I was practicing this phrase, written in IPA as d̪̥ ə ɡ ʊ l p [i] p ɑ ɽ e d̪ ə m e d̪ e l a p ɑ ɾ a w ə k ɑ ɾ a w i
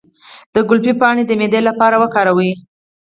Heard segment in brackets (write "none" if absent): i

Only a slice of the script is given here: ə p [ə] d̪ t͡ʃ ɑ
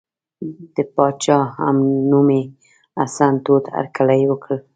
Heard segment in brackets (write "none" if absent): ɑ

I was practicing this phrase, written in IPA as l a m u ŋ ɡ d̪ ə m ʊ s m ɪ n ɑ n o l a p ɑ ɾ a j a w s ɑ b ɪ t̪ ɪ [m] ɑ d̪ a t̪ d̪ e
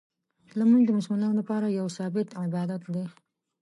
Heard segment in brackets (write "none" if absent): b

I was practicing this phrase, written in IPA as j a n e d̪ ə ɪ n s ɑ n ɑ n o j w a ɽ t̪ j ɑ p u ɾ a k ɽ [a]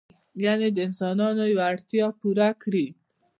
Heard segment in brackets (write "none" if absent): i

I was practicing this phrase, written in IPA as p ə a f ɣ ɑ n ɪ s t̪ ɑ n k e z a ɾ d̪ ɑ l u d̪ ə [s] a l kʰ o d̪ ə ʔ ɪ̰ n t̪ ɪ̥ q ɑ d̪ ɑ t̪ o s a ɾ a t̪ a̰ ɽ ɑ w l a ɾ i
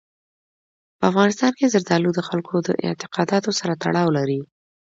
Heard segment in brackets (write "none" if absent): x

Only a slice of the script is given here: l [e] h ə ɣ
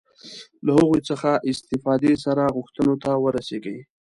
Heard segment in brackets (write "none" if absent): a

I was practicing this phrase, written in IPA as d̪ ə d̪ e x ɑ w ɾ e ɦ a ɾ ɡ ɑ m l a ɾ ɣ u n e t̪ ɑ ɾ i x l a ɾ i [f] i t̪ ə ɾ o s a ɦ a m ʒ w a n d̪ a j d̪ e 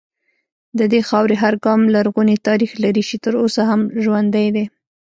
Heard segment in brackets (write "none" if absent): ʃ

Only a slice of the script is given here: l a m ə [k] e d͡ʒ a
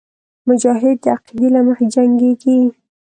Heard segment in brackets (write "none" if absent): x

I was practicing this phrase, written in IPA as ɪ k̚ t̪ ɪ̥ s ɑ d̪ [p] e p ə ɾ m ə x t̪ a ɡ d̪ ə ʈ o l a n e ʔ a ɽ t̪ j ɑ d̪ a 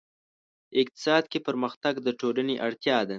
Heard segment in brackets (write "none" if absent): k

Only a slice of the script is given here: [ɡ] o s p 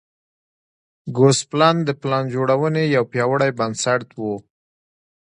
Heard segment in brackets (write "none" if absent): ɡ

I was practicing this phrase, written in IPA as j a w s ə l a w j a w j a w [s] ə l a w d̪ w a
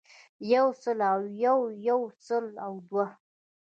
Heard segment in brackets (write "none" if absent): s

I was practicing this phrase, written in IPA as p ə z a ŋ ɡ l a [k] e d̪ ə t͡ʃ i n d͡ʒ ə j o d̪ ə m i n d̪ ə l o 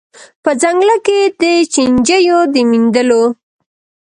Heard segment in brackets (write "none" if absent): k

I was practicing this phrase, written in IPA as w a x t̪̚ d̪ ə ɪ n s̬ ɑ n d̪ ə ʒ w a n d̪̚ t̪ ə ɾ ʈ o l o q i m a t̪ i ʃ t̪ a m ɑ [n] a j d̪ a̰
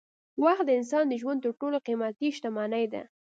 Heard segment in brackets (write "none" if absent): n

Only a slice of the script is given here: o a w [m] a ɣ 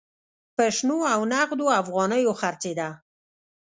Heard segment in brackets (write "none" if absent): n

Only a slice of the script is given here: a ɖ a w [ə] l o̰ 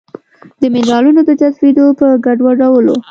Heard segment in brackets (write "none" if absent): ə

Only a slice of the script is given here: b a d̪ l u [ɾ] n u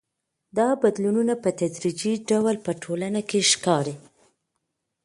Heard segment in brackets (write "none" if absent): none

